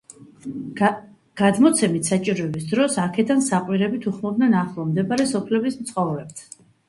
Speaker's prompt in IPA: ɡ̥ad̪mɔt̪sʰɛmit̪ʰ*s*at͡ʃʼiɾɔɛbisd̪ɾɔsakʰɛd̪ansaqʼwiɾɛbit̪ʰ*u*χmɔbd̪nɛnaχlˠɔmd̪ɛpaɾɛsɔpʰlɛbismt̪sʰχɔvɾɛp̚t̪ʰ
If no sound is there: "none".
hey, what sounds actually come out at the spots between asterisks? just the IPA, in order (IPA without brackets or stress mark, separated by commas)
s, u